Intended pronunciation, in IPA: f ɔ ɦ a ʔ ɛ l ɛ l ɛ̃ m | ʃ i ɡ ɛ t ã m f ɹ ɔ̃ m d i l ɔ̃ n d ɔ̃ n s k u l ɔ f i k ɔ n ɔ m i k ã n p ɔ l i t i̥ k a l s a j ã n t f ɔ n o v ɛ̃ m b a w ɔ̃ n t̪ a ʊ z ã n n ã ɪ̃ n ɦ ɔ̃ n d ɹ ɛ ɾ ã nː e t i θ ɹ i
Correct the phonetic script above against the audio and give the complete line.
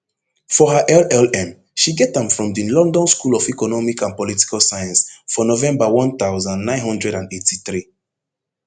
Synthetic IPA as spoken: f ɔ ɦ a ʔ ɛ l ɛ l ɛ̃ m | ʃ i ɡ ɛ t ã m f ɹ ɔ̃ m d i l ɔ̃ n d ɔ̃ n s k u l ɔ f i k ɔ n ɔ m i k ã n p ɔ l i t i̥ k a l s a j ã n s f ɔ n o v ɛ̃ m b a w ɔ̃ n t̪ a ʊ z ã n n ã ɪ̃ n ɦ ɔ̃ n d ɹ ɛ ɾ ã n e t i θ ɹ i